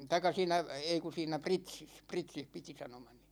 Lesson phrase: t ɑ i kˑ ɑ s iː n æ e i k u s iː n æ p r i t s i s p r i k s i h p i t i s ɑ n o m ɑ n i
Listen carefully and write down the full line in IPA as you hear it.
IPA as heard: t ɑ i kˑ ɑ s iː n æ e i k u s iː n æ p r i t s i s p r i t s i h p i t i s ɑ n o m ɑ n i

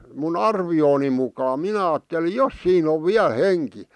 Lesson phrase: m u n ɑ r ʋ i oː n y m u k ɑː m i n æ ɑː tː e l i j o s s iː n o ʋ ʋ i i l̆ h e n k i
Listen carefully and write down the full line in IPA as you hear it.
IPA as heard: m u n ɑ r ʋ i oː n i m u k ɑː m i n æ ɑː tː e l i j o s s iː n o ʋ ʋ i æ l̆ h e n k i

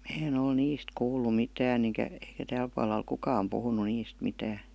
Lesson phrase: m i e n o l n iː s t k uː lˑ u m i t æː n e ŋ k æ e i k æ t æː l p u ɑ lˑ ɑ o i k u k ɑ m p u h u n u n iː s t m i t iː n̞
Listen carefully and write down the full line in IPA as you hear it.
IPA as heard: m æ e n o l n iː s t k uː lˑ u m i t æː n e ŋ k æ e i k æ t æː l p u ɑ lˑ ɑ o i k u k ɑ m p u h u n u n iː s t m i t æː n̞

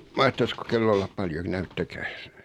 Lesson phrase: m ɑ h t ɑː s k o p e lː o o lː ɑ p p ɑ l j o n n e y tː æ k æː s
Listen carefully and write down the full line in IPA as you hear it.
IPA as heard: m ɑ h t ɑ s k o k e lː o o lː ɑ p p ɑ l j o n n æ y tː æ k æː s

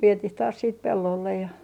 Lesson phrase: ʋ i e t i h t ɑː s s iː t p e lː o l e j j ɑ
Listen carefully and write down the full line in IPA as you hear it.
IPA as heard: ʋ i e t i h t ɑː s s iː t p e lː o lː e j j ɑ

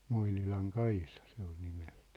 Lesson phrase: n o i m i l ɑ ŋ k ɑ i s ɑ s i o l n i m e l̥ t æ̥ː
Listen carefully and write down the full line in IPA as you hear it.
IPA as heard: m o i n i l ɑ ŋ k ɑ i s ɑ s e o l n i m e l̥ t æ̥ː

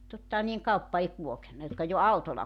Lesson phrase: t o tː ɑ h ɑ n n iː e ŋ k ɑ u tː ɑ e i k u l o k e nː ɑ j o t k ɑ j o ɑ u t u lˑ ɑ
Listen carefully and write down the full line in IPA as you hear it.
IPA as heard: t o tː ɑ h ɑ n n iː e ŋ k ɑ u pː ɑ e i k u l o k e nː ɑ j o t k ɑ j o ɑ u t o lˑ ɑ

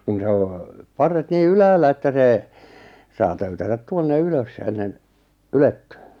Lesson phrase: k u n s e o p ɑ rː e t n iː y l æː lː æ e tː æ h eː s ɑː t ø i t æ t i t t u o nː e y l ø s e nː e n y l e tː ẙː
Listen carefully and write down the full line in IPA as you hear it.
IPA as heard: k u n s e o p ɑ rː e t n iː y l æː lː æ e tː æ s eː s ɑː t ø y t æ t æ t t u o nː e y l ø s e nː e n y l e tː ẙː

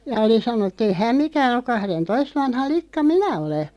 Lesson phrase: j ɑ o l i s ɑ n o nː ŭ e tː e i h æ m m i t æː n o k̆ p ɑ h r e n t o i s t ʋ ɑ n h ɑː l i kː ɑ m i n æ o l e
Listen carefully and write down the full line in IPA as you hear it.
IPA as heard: j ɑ o l i s ɑ n o nː ŭ e tː e i h æ m m i k æː n o k̆ k ɑ h r e n t o i s t ʋ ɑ n h ɑ l i kː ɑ m i n æ o l e

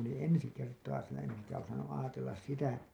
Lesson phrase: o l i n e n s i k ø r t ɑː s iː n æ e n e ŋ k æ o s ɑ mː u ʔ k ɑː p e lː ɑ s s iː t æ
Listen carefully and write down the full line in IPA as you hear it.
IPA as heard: o l i n e n s i k e r t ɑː s iː n æ e n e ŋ k æ o s ɑ nː u ʔ ʔ ɑː t e lː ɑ s s i t æ

